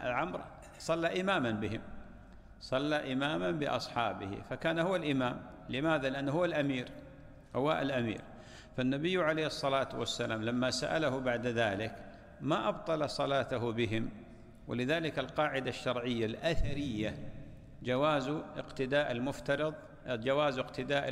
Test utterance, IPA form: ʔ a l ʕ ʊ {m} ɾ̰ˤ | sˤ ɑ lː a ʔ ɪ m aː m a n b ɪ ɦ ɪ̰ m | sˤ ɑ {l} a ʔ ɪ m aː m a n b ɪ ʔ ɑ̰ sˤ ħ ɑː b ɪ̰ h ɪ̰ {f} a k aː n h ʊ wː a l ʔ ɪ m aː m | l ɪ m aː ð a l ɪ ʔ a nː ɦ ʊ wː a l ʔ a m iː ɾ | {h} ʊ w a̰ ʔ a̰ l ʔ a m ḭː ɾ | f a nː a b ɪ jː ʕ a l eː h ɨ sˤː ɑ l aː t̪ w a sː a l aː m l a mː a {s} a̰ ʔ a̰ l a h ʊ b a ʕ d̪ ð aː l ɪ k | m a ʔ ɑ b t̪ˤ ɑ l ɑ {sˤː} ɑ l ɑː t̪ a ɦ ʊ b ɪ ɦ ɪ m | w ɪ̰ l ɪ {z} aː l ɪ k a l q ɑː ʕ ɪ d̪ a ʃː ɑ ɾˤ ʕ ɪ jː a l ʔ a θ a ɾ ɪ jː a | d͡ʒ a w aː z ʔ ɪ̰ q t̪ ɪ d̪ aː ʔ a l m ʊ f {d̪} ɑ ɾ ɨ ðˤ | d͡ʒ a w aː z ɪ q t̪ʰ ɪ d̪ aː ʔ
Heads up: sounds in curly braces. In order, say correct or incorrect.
correct, incorrect: lː, correct, correct, correct, incorrect: sˤ, incorrect: ð, incorrect: t̪

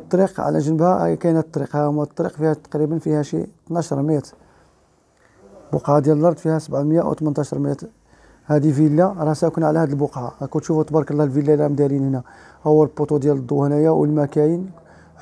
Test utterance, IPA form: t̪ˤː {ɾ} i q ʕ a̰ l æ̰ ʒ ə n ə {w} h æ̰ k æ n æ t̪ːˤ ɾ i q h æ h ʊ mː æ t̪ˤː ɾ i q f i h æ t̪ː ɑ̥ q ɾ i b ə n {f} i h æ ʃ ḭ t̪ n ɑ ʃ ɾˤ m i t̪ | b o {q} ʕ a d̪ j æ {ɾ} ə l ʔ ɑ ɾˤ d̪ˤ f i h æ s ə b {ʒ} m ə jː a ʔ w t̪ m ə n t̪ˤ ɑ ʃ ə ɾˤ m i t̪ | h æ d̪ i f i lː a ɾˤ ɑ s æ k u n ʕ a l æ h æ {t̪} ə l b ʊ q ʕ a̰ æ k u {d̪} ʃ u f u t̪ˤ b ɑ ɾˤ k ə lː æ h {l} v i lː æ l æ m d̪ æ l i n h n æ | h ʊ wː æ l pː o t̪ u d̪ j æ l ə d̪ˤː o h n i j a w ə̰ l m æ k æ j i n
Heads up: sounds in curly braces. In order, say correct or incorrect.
correct, incorrect: b, correct, correct, incorrect: l, incorrect: ʕ, incorrect: d̪, incorrect: t̪, correct

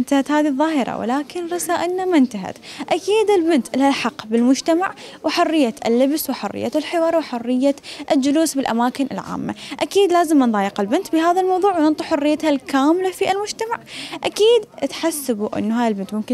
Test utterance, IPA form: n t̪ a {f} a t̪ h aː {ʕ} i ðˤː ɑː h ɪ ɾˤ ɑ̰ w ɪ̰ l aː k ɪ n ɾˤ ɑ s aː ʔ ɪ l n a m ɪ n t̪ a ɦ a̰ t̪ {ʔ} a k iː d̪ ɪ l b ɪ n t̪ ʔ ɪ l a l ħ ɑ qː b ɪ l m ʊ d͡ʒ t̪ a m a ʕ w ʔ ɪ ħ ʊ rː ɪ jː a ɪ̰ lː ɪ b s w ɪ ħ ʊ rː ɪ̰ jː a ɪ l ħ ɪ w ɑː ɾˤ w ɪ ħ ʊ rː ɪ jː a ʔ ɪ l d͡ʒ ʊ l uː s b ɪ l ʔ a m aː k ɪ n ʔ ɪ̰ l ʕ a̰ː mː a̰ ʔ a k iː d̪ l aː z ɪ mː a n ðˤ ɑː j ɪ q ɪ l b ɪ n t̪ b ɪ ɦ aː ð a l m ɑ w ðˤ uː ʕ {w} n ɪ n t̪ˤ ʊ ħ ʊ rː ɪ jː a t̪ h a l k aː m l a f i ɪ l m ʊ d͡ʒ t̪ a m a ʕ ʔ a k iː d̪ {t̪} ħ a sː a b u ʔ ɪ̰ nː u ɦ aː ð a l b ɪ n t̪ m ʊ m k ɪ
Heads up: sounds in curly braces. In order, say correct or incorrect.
incorrect: h, incorrect: ð, correct, correct, correct

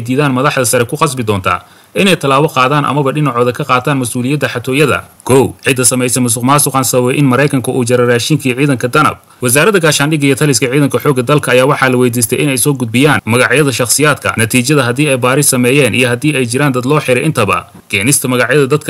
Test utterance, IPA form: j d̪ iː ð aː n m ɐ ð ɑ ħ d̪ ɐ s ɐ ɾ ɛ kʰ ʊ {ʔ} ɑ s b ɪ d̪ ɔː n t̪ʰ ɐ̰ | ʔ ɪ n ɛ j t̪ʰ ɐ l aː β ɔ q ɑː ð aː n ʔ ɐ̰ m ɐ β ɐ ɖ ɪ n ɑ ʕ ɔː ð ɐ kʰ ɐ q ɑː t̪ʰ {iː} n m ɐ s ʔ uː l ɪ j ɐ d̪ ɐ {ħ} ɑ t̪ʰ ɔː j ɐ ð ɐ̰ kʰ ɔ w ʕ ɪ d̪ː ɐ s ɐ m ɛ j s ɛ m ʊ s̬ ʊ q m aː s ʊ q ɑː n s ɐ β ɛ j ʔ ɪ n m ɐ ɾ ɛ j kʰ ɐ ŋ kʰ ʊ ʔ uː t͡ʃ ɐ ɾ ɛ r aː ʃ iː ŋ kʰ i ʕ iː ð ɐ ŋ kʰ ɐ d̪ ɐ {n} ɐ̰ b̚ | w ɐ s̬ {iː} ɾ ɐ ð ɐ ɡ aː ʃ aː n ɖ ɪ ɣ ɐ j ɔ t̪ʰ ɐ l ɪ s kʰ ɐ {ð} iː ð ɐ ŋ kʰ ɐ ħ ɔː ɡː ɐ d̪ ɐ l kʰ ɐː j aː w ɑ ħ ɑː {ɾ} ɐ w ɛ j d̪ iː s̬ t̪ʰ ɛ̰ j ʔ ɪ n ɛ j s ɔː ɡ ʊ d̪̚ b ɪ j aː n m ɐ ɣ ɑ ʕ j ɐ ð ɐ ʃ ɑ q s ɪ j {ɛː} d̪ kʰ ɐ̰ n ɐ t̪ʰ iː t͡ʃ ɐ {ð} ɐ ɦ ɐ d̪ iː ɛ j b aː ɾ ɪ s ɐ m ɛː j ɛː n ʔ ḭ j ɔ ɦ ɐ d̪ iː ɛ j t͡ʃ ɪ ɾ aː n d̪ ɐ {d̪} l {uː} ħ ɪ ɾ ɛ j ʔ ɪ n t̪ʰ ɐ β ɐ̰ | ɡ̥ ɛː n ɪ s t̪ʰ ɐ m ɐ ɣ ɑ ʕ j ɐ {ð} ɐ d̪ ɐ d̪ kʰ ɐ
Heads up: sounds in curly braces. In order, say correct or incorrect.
incorrect: q, incorrect: aː, correct, correct, incorrect: aː, incorrect: ʕ, incorrect: l, incorrect: aː, correct, correct, incorrect: ɔː, correct

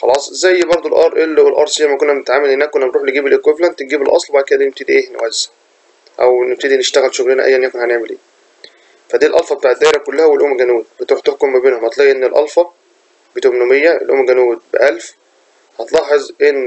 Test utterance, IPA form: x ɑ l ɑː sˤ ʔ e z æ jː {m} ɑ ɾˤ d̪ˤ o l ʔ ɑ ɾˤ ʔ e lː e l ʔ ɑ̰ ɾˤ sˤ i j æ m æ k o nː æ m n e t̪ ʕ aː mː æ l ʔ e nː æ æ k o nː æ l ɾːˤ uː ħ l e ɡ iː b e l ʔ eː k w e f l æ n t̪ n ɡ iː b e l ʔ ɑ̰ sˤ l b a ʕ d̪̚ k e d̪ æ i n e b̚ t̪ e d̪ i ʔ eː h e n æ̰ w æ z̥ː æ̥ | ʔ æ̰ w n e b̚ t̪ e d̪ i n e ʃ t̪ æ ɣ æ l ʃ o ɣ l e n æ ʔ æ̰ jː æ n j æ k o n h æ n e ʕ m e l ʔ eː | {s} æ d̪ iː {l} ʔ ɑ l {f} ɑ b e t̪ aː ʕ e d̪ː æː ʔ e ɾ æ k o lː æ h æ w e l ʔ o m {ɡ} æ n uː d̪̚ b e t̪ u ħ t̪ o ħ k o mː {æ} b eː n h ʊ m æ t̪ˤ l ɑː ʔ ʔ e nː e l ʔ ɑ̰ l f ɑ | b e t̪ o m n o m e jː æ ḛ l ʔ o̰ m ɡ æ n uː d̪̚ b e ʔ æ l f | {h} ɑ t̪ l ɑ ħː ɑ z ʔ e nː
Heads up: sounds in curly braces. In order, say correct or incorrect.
incorrect: b, incorrect: f, correct, correct, correct, correct, correct

